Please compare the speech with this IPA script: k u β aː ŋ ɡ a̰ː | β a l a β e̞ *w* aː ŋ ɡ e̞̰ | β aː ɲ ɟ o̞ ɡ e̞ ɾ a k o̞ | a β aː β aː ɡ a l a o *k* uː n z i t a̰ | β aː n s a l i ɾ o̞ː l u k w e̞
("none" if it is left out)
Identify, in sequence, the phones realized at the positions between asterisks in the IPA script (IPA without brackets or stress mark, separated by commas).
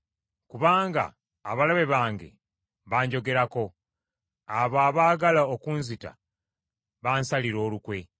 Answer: β, k